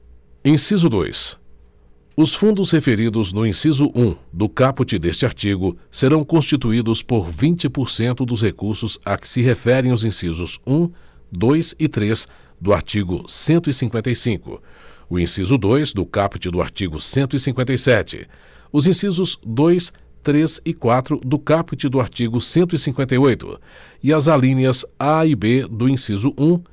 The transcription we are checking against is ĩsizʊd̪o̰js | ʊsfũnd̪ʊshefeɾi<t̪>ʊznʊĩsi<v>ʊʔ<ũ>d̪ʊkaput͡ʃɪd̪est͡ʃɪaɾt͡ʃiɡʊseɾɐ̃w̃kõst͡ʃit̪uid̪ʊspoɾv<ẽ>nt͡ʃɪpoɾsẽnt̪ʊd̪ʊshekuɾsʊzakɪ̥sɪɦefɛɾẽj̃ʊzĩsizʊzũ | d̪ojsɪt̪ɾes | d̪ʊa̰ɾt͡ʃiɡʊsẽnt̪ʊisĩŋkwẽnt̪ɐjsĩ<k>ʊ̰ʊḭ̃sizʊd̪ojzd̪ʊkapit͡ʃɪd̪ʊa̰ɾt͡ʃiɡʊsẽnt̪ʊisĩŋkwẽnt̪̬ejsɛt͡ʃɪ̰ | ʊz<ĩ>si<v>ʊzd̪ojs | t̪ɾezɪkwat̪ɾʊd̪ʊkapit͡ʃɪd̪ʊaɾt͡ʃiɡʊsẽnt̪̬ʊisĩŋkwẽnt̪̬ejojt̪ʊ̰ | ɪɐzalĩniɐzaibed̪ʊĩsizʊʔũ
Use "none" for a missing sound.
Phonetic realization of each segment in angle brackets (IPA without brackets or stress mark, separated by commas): d̪, z, ũ, ĩ, k, ĩ, z